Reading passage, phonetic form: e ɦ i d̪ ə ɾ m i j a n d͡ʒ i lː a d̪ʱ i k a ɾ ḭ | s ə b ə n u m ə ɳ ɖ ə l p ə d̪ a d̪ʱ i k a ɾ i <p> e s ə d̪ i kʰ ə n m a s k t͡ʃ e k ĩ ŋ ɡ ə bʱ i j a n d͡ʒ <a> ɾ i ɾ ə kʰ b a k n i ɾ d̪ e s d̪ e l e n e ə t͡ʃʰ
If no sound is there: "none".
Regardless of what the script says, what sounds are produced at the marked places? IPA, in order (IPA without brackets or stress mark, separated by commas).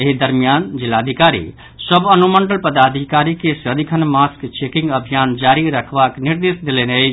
k, a